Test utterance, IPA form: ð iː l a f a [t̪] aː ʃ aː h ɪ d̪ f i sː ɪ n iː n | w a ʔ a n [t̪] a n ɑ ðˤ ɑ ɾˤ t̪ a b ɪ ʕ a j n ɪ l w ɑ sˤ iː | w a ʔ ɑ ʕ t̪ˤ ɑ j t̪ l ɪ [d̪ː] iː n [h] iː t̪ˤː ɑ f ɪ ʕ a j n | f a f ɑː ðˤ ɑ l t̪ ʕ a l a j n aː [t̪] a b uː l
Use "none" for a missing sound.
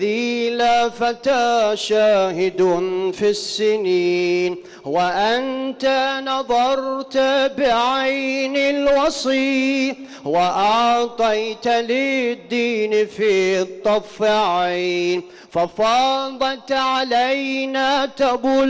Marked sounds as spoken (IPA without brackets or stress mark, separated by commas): t̪, t̪, d̪ː, f, t̪